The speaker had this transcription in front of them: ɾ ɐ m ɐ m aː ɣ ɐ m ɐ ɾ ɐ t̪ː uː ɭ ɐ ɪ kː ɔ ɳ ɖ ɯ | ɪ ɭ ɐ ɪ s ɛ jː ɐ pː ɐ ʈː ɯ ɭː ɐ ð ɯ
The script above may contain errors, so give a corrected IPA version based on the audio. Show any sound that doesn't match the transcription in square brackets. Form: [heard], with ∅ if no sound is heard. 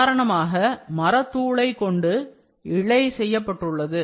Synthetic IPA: ɾ ɐ [ɳ] ɐ m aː ɣ ɐ m ɐ ɾ ɐ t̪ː uː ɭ ɐ ɪ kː ɔ ɳ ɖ ɯ | ɪ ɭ ɐ ɪ s ɛ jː ɐ pː ɐ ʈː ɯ ɭː ɐ ð ɯ

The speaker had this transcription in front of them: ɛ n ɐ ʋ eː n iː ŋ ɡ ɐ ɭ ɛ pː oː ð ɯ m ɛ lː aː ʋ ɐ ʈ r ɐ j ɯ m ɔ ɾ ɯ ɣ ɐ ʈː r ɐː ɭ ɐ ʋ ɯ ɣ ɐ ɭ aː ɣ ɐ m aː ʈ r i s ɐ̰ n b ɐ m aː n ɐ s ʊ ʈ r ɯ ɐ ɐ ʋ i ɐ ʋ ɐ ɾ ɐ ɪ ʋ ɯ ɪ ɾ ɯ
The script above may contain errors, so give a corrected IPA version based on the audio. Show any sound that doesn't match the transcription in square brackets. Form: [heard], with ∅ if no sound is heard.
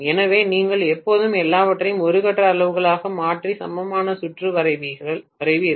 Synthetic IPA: ɛ n ɐ ʋ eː n iː ŋ ɡ ɐ ɭ ɛ pː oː ð ɯ m ɛ lː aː ʋ ɐ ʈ r ɐ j ɯ m ɔ ɾ ɯ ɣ ɐ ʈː r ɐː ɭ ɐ ʋ ɯ ɣ ɐ ɭ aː ɣ ɐ m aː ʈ r i s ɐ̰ [m] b ɐ m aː n ɐ s ʊ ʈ r ɯ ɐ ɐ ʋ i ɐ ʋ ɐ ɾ ɐ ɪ ʋ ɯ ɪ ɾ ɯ

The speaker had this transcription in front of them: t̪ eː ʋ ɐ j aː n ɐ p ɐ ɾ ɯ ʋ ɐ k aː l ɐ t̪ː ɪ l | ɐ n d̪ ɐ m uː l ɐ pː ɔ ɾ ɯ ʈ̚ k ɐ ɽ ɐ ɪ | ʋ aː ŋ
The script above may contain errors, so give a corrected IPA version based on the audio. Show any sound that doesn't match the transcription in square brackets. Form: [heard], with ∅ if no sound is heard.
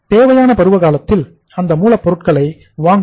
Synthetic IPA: t̪ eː ʋ ɐ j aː n ɐ p ɐ ɾ ɯ ʋ ɐ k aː l ɐ t̪ː ɪ l | ɐ n d̪ ɐ m uː l ɐ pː ɔ ɾ ɯ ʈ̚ k ɐ [ɭ] ɐ ɪ | ʋ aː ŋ

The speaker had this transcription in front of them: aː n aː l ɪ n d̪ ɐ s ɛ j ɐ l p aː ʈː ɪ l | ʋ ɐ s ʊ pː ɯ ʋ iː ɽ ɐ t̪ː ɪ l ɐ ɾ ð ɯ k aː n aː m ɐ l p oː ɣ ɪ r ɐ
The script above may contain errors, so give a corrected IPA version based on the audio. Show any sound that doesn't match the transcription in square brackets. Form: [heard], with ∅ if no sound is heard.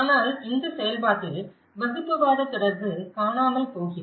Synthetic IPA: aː n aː l ɪ n d̪ ɐ s ɛ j ɐ l p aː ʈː ɪ l | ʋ ɐ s [ɯ] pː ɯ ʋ [aː] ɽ ɐ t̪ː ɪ [ɽ] ɐ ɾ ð ɯ k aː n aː m ɐ l p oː ɣ ɪ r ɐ

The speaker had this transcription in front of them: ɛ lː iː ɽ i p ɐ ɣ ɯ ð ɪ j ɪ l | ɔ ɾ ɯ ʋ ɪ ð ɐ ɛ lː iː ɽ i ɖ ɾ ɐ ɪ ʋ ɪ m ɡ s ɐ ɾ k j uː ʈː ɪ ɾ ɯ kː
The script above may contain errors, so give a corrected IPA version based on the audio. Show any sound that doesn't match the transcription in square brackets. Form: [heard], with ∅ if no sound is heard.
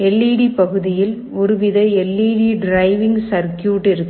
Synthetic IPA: ɛ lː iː ɽ i p ɐ ɣ ɯ ð ɪ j ɪ l | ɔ ɾ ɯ ʋ ɪ ð ɐ ɛ lː iː ɽ i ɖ ɾ ɐ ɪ ʋ ɪ [ŋ] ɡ s ɐ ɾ k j uː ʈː ɪ ɾ ɯ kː

